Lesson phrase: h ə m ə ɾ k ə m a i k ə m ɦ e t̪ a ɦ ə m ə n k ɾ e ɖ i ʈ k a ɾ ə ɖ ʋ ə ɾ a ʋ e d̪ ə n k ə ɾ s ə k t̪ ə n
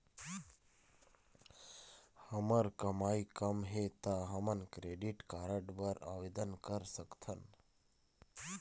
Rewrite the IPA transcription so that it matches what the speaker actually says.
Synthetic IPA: h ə m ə ɾ k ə m a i k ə m ɦ e t̪ a ɦ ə m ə n k ɾ e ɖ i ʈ k a ɾ ə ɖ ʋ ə ɾ a ʋ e d̪ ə n k ə ɾ s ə k t̪ʰ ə n